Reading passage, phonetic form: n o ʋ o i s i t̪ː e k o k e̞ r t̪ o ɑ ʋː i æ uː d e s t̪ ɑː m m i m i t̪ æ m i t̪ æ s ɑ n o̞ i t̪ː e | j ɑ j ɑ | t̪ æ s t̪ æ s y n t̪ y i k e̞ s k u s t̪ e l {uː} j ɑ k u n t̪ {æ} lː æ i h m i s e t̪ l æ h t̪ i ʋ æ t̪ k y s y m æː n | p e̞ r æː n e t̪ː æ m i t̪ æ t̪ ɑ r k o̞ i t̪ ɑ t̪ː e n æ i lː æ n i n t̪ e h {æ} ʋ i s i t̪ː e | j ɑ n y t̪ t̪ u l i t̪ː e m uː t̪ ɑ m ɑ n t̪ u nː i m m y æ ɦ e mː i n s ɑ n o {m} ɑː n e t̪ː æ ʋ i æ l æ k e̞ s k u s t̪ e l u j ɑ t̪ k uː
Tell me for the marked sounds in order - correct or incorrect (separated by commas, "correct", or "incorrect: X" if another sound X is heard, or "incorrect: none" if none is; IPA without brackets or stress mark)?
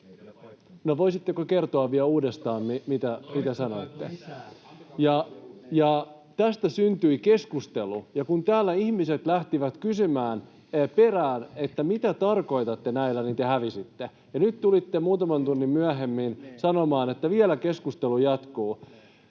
incorrect: u, incorrect: æː, correct, correct